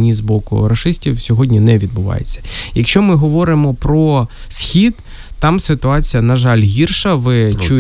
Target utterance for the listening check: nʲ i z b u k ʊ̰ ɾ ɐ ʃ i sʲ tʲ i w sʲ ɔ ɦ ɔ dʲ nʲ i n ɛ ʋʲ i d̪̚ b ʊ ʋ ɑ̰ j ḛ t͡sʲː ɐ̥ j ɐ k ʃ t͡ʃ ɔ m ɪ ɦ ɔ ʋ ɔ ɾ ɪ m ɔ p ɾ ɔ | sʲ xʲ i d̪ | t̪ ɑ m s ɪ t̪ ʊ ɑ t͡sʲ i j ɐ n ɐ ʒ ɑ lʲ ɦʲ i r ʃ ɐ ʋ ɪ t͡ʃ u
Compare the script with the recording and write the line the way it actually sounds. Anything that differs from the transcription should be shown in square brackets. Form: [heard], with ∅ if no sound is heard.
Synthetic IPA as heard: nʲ i z b [ɔ] k ʊ̰ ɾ ɐ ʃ [ɪ] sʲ tʲ i w sʲ ɔ ɦ ɔ dʲ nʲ i n ɛ ʋʲ i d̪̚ b ʊ ʋ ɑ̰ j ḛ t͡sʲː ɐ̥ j ɐ k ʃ t͡ʃ ɔ m ɪ ɦ ɔ ʋ ɔ ɾ ɪ m ɔ p ɾ ɔ | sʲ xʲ i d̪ | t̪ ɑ m s ɪ t̪ ʊ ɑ t͡sʲ i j ɐ n ɐ ʒ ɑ lʲ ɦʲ i r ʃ ɐ ʋ ɪ t͡ʃ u